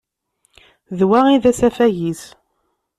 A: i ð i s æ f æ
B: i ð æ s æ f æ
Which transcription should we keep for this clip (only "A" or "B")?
B